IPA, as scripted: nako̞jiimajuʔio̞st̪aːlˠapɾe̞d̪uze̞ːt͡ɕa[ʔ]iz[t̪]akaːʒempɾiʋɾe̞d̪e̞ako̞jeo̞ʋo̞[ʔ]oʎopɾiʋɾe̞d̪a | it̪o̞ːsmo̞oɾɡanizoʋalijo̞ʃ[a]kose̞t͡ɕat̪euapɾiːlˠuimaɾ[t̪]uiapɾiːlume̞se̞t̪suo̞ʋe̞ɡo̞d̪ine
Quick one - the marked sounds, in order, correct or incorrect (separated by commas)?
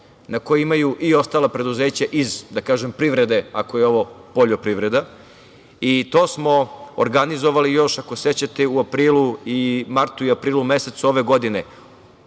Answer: correct, incorrect, incorrect, correct, correct